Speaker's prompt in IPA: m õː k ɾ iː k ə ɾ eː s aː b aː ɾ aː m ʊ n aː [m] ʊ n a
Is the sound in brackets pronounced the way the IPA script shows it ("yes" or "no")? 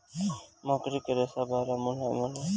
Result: yes